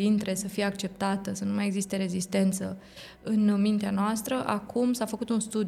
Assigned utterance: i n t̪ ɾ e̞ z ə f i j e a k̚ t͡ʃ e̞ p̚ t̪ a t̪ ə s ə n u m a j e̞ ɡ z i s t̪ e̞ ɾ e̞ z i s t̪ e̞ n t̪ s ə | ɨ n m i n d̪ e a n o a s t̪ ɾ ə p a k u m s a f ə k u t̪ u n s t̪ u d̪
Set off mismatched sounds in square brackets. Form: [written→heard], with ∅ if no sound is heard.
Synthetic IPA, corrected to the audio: i n t̪ ɾ e̞ [z→s] ə f i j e a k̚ t͡ʃ e̞ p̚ t̪ a t̪ ə s ə n u m a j e̞ ɡ z i s t̪ e̞ ɾ e̞ z i s t̪ e̞ n t̪ s ə | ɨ n m i n [d̪→t̪] e a n o a s t̪ ɾ ə [p→ʔ] a k u m s a f ə k u t̪ u n s t̪ u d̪